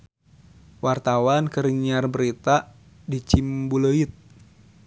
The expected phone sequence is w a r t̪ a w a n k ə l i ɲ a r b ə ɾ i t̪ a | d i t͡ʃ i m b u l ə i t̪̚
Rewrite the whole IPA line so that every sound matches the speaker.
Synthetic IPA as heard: w a r t̪ a w a n k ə ɾ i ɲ a r b ə ɾ i t̪ a | d i t͡ʃ i m b u l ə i t̪̚

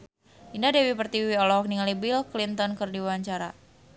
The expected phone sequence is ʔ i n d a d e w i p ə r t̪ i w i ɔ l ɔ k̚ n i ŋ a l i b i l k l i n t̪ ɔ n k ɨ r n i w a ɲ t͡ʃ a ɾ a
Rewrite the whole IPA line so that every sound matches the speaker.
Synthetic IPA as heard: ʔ i n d a d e w i p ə r t̪ i w i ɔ l ɔ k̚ n i ŋ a l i b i l k l i n t̪ ɔ n k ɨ r d i w a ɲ t͡ʃ a ɾ a

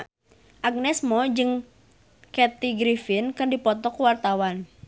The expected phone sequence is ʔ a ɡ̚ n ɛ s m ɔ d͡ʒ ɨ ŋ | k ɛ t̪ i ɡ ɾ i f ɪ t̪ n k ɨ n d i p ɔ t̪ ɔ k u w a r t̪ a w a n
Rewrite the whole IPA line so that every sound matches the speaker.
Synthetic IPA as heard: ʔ a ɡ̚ n ɛ s m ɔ d͡ʒ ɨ ŋ | k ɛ t̪ i ɡ ɾ i f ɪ n k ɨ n d i p ɔ t̪ ɔ k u w a r t̪ a w a n

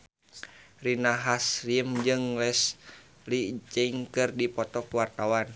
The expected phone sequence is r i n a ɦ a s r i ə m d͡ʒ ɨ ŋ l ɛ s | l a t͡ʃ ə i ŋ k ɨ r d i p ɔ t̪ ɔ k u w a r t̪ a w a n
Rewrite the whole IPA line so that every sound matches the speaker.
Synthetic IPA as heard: r i n a ɦ a s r i ə m d͡ʒ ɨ ŋ l ɛ s | l i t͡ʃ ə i ŋ k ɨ r d i p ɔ t̪ ɔ k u w a r t̪ a w a n

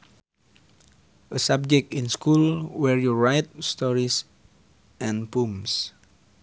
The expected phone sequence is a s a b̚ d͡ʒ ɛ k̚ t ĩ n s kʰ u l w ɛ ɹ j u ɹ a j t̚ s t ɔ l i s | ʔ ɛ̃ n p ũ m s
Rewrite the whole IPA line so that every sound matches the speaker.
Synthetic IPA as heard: ə s a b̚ d͡ʒ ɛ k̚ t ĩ n s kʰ u l w ɛ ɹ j u ɹ a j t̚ s t ɔ ɹ i s | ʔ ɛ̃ n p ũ m s

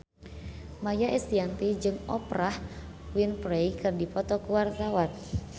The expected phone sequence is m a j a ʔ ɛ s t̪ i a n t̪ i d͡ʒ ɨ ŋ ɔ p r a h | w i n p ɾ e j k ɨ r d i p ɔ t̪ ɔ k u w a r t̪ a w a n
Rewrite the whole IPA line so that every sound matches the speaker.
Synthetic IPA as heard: m a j a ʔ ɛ s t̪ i a n t̪ i d͡ʒ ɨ ŋ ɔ p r a h | w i n p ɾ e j k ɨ r d i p ɔ t̪ ɔ k u w a r t̪ a w a n

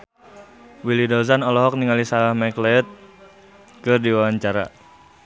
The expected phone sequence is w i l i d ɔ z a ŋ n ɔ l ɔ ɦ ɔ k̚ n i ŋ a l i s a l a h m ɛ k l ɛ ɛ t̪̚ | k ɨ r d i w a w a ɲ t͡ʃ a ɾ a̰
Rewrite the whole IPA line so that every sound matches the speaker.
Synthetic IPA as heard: w i l i d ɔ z a n ɔ l ɔ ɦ ɔ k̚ n i ŋ a l i s a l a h m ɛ k l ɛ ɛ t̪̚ | k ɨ r d i w a w a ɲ t͡ʃ a ɾ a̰

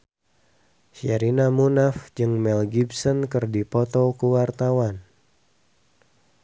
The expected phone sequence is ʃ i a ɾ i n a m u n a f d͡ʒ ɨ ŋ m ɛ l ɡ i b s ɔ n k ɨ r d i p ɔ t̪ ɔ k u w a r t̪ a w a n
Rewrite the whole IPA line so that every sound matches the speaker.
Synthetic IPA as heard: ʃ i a ɾ i n a m u n a f d͡ʒ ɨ ŋ m ɛ l ɡ i b s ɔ n k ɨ r d i p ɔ t̪ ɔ k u w a r t̪ a w a n

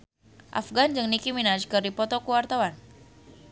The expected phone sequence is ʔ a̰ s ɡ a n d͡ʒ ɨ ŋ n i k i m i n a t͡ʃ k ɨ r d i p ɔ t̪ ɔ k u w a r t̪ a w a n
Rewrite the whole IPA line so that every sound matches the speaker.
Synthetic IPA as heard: ʔ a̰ f ɡ a n d͡ʒ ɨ ŋ n i k i m i n a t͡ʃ k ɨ r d i p ɔ t̪ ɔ k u w a r t̪ a w a n

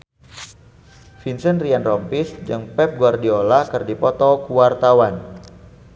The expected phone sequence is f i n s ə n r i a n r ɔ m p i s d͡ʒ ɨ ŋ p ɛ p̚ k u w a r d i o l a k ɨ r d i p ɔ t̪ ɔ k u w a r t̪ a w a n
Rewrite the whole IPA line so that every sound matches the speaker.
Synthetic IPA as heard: f i n s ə n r i a n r ɔ m p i s d͡ʒ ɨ ŋ p ɛ p̚ ɡ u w a r d i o l a k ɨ r d i p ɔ t̪ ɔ k u w a r t̪ a w a n

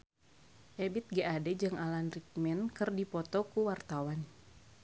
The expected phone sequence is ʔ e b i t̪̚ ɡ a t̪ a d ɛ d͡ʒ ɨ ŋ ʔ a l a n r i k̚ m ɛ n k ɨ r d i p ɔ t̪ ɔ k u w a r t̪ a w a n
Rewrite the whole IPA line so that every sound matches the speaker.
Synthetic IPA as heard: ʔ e b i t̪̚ ɡ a a d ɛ d͡ʒ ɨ ŋ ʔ a l a n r i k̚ m ɛ n k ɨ r d i p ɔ t̪ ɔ k u w a r t̪ a w a n

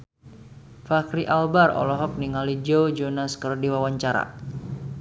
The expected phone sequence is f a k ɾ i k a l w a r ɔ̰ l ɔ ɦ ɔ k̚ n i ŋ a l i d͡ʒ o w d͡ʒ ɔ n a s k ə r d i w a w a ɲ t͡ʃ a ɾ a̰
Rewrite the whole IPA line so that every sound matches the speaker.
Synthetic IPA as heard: f a k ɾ i ʔ a l b a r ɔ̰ l ɔ ɦ ɔ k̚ n i ŋ a l i d͡ʒ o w d͡ʒ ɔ n a s k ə r d i w a w a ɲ t͡ʃ a ɾ a̰

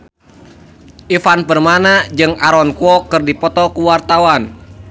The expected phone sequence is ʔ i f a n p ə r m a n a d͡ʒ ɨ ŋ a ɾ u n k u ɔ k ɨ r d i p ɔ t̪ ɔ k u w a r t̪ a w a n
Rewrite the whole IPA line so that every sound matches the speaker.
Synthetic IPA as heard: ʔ i f a n p ə r m a n a d͡ʒ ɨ ŋ a ɾ ɔ n k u ɔ k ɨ r d i p ɔ t̪ ɔ k u w a r t̪ a w a n

